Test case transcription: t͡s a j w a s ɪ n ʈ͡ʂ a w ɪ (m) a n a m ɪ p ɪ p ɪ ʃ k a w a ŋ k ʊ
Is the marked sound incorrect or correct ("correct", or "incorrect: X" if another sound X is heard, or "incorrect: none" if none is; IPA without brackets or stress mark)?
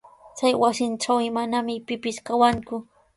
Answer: correct